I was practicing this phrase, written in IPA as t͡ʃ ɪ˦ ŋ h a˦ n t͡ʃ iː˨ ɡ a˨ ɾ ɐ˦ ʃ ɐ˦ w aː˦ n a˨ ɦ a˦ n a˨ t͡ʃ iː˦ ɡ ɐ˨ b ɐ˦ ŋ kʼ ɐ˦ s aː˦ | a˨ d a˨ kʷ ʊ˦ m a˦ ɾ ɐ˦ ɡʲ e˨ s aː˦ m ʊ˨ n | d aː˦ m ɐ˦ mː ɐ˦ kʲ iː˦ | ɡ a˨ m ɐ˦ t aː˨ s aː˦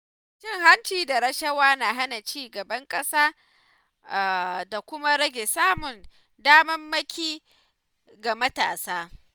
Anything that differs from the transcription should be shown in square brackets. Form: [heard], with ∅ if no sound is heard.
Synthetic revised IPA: t͡ʃ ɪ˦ ŋ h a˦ n t͡ʃ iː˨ [d] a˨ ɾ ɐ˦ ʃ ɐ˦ w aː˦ n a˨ ɦ a˦ n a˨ t͡ʃ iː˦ ɡ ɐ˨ b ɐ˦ ŋ kʼ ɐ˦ s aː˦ | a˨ d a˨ kʷ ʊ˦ m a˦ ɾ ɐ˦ ɡʲ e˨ s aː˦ m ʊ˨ n | d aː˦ m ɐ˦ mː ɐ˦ kʲ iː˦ | ɡ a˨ m ɐ˦ t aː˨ s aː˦